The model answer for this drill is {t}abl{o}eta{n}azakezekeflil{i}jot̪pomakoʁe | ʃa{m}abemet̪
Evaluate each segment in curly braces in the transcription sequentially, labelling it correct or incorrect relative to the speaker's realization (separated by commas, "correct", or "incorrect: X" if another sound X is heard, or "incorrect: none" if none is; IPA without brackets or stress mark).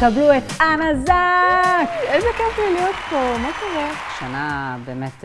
incorrect: k, incorrect: u, correct, correct, incorrect: n